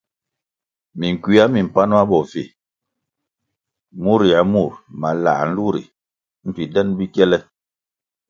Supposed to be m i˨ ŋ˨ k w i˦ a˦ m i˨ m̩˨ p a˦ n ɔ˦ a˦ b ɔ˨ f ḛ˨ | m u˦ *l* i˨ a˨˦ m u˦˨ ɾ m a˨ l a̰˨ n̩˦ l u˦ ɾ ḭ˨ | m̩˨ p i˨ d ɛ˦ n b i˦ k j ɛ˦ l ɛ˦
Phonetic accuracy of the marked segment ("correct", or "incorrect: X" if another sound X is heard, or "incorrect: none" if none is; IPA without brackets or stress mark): incorrect: ɾ